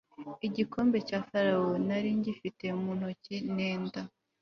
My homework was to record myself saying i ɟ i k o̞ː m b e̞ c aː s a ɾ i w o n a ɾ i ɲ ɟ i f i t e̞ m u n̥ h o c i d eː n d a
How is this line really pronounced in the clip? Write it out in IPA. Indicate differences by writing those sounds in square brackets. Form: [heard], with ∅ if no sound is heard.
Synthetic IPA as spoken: i ɟ i k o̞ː m b e̞ c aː [f] a ɾ [a] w o n a ɾ i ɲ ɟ i f i t e̞ m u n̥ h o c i [n] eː n d a